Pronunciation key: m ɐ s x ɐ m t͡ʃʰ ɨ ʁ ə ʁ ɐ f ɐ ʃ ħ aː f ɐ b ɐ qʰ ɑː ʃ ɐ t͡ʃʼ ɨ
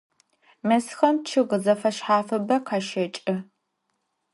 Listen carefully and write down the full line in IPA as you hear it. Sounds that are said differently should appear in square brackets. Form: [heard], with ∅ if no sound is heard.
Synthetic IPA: m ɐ s x ɐ m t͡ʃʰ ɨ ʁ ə [z] ɐ f ɐ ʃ ħ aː f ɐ b ɐ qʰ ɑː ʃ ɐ t͡ʃʼ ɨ

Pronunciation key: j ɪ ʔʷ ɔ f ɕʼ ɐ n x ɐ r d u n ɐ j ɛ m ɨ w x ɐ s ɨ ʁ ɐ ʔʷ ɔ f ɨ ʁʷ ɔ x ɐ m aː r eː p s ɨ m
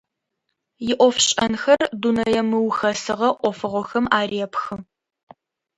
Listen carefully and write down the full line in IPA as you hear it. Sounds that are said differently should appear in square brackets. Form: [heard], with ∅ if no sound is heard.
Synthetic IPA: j ɪ ʔʷ ɔ f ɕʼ ɐ n x ɐ r d u n ɐ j ɛ m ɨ w x ɐ s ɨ ʁ ɐ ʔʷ ɔ f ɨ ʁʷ ɔ x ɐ m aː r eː p [x] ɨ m

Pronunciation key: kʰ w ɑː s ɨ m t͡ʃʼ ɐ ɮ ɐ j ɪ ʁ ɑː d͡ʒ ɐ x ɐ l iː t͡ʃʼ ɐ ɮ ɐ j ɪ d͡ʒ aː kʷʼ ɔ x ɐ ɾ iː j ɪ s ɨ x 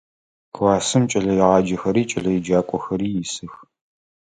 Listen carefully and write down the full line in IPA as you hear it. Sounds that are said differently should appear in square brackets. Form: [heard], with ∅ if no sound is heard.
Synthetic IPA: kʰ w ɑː s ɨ m t͡ʃʼ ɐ ɮ ɐ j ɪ ʁ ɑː d͡ʒ ɐ x ɐ [ɾ] iː t͡ʃʼ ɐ ɮ ɐ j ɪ d͡ʒ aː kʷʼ ɔ x ɐ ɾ iː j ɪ s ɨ x

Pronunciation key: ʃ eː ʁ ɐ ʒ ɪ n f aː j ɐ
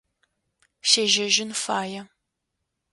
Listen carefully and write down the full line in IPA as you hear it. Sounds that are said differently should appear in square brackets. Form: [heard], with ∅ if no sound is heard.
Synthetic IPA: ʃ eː [ʒ] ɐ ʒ ɪ n f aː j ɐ

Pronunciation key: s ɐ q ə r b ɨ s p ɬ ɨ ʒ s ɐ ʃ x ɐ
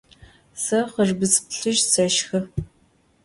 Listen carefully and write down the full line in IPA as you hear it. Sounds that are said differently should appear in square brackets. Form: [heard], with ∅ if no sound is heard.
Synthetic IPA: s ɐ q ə r b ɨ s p ɬ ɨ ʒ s ɐ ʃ x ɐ

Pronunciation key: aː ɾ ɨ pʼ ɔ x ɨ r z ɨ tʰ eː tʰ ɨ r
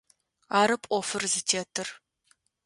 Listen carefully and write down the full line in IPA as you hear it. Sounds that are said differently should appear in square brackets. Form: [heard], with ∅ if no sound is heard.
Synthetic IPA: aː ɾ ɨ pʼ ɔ [f] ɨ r z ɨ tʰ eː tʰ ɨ r

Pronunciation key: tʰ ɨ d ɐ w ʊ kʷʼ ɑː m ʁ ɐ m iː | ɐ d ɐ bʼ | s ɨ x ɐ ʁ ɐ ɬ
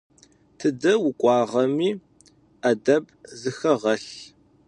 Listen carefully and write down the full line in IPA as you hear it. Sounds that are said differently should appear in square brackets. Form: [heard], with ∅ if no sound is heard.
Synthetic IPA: tʰ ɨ d ɐ w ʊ kʷʼ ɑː [∅] ʁ ɐ m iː | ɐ d ɐ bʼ | [z] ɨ x ɐ ʁ ɐ ɬ

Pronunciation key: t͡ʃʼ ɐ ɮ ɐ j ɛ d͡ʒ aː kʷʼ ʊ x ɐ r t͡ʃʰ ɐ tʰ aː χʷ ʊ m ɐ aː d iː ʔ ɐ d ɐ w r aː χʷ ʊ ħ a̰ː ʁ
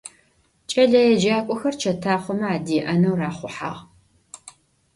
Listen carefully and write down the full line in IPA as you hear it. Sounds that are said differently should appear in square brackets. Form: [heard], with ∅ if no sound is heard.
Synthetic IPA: t͡ʃʼ ɐ ɮ ɐ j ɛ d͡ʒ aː kʷʼ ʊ x ɐ r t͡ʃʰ ɐ tʰ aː χʷ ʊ m ɐ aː d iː ʔ ɐ [n] ɐ w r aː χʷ ʊ ħ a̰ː ʁ

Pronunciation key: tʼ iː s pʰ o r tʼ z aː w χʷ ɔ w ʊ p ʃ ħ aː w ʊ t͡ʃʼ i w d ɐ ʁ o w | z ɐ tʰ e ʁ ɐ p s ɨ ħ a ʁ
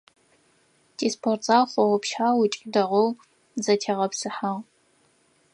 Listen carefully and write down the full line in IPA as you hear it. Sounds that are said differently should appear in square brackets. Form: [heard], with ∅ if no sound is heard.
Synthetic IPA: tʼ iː s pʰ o r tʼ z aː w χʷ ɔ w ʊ p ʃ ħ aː w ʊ t͡ʃʼ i [∅] d ɐ ʁ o w | z ɐ tʰ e ʁ ɐ p s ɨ ħ a ʁ

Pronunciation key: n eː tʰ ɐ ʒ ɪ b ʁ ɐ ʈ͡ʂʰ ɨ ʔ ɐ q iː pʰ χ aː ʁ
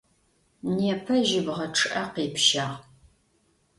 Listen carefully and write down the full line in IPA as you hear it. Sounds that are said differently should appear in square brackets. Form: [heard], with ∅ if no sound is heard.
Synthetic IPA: n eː [pʰ] ɐ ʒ ɪ b ʁ ɐ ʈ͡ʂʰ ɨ ʔ ɐ q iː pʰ [ʃ] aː ʁ

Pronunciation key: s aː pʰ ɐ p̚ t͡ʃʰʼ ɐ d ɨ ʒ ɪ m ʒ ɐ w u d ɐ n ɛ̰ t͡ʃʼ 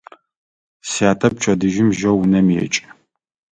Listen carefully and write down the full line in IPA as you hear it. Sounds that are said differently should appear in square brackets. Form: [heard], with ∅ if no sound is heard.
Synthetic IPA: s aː [tʰ] ɐ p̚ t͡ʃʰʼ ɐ d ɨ ʒ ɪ m ʒ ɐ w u [n] ɐ [m] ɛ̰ t͡ʃʼ

